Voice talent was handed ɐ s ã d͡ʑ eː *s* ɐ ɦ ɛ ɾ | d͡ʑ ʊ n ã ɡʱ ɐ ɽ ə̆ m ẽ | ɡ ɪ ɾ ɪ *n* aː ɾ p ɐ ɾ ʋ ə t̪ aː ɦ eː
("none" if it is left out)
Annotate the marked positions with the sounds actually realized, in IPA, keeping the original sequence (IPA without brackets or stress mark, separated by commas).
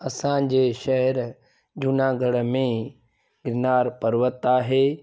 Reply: ʃ, n